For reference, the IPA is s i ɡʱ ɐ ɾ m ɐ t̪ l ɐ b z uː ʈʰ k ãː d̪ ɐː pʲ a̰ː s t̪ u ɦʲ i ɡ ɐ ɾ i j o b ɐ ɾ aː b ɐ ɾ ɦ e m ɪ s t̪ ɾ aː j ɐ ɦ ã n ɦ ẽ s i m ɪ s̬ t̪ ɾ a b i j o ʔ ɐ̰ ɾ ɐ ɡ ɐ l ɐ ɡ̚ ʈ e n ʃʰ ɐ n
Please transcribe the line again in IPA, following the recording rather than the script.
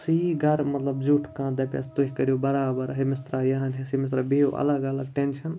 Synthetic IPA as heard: s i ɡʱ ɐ ɾ m ɐ t̪ l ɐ b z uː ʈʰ k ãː d̪ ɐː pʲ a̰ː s t̪ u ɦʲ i k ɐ ɾ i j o b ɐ ɾ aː b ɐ ɾ ɦ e m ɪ s t̪ ɾ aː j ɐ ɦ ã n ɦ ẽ s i m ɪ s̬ t̪ ɾ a b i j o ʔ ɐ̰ l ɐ ɡ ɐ l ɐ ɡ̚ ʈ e n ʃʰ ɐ n